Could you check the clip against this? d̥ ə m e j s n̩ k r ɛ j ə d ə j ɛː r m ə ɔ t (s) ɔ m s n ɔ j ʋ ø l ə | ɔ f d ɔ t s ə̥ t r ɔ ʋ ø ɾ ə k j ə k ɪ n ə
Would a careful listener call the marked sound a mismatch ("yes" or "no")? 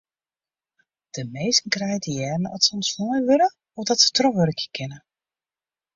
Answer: no